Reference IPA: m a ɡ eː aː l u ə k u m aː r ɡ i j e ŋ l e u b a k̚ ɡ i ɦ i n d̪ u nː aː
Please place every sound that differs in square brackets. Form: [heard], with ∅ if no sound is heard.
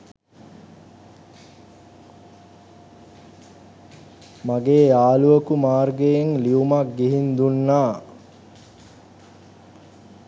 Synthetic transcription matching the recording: m a ɡ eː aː l u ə k u m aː r ɡ [e] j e ŋ l [i] u [m] a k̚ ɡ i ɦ i n d̪ u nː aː